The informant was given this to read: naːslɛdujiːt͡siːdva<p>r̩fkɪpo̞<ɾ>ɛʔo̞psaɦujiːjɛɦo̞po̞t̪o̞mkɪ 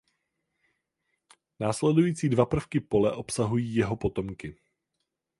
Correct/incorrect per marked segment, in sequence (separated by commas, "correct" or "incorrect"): correct, incorrect